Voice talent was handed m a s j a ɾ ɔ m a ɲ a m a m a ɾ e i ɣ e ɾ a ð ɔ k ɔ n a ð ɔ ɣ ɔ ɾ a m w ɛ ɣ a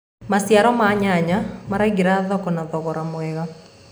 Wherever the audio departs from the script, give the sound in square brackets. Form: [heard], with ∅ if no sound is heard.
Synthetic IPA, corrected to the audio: m a s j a ɾ ɔ m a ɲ a [ɲ] a m a ɾ [a] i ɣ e ɾ a ð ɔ k ɔ n a ð ɔ ɣ ɔ ɾ a m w ɛ ɣ a